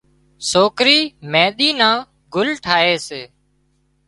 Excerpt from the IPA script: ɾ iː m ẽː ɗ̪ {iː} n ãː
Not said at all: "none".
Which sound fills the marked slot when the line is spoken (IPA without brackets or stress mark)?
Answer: iː